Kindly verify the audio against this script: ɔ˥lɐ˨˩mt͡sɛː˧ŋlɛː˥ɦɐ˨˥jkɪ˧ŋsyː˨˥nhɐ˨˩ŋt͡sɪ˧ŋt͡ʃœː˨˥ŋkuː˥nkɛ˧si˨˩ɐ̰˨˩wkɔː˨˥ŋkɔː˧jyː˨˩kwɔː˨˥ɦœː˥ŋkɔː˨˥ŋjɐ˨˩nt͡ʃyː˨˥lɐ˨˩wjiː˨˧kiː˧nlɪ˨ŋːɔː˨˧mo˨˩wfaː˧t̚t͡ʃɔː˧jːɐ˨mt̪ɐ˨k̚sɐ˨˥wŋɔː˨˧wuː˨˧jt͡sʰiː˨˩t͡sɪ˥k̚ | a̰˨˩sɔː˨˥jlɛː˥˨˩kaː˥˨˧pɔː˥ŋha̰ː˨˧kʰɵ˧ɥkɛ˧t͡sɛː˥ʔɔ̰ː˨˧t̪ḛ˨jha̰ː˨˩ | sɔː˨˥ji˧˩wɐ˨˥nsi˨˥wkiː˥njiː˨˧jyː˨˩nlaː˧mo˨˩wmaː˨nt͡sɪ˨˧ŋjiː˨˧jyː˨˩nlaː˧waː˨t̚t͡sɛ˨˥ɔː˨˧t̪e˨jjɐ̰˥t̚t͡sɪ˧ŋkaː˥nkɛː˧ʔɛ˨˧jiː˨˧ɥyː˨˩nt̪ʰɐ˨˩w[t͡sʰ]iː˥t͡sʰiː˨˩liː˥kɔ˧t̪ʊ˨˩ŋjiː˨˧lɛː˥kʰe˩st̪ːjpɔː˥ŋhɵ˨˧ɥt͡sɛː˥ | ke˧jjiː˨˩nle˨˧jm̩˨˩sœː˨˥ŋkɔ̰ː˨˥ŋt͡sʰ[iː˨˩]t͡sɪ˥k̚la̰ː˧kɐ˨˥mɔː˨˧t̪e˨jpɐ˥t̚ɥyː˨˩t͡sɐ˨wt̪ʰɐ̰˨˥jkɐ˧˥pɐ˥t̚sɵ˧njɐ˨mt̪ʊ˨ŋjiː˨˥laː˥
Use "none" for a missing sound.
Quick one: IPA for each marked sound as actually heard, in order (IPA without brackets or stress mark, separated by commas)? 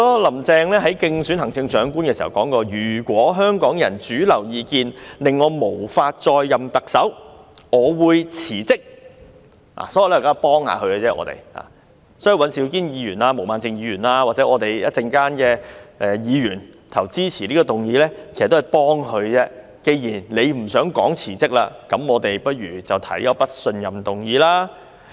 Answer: t͡s, iː˨˩